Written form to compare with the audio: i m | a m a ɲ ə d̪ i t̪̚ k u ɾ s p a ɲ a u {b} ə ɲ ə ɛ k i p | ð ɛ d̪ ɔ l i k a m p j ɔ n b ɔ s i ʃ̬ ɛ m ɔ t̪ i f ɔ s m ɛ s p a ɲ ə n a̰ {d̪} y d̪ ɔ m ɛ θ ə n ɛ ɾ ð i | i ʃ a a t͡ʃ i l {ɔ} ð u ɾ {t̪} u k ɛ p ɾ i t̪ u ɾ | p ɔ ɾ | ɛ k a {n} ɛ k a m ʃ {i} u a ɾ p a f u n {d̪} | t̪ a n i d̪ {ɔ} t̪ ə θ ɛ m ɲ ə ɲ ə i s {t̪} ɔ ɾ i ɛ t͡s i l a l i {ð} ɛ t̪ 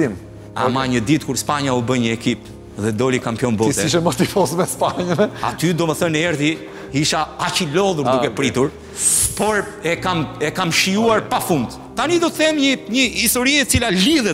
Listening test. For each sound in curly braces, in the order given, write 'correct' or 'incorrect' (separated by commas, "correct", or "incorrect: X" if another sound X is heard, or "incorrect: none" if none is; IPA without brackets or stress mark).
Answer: correct, incorrect: t̪, correct, incorrect: d̪, incorrect: m, correct, correct, correct, correct, correct